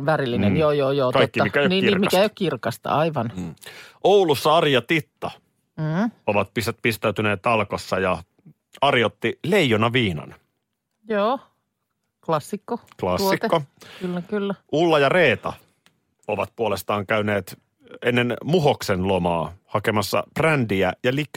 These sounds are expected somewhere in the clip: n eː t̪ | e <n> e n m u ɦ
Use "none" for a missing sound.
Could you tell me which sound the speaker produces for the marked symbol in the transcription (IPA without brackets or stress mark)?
nː